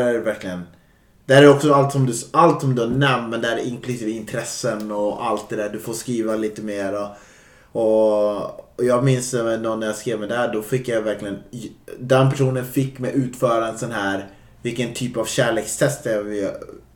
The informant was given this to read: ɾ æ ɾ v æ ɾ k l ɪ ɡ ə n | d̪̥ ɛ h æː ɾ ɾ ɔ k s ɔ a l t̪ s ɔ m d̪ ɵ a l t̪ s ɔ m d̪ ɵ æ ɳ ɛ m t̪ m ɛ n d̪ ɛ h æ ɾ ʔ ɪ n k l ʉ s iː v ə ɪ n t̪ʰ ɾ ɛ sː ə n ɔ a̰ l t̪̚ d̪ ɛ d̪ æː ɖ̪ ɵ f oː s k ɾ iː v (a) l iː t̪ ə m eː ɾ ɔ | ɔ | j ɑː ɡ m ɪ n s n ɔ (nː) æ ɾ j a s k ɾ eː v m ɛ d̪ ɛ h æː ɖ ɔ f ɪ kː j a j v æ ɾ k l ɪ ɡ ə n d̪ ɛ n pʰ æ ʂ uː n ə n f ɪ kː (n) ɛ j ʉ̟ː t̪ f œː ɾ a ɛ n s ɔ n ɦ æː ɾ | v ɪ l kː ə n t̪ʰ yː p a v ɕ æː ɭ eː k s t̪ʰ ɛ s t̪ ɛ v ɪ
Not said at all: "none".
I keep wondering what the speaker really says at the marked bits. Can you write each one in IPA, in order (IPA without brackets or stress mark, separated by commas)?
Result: a, nː, m